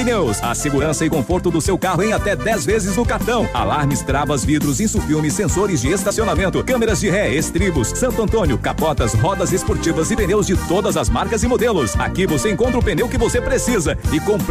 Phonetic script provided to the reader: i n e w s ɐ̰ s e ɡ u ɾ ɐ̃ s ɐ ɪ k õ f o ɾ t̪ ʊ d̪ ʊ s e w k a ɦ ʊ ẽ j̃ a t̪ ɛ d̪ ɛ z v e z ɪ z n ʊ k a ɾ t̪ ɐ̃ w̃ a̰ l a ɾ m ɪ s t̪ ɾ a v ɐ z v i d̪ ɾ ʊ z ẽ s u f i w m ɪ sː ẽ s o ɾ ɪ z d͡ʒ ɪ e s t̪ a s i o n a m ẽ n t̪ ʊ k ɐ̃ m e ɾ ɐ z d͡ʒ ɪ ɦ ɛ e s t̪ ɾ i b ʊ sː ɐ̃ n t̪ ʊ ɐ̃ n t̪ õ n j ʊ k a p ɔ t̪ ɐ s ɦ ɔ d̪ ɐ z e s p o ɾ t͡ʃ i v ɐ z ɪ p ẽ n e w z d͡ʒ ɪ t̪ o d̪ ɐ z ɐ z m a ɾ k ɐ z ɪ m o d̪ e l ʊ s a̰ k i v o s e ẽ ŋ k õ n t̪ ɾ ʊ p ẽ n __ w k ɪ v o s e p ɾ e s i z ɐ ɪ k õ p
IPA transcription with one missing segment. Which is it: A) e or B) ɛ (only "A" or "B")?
A